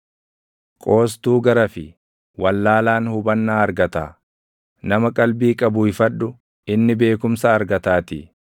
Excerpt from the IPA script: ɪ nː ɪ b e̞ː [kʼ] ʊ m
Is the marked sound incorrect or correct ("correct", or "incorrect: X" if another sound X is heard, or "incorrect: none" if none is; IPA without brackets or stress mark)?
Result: incorrect: k